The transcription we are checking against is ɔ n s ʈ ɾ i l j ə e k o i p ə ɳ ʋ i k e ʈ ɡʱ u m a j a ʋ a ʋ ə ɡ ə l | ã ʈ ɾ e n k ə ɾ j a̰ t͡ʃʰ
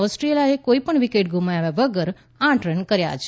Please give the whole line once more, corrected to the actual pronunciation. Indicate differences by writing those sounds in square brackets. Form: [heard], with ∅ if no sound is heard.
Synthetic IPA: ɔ [∅] s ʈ ɾ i l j [a] e k o i p ə ɳ ʋ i k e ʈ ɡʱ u m a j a ʋ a ʋ ə ɡ ə [ɾ] | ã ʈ ɾ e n k ə ɾ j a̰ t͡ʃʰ